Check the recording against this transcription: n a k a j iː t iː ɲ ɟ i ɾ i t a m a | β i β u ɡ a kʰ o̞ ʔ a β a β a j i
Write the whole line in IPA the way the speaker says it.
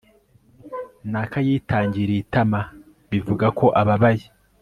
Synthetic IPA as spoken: n a k a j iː t aː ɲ ɟ i ɾ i t a m a | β i v u ɡ a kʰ o̞ ʔ a β a β a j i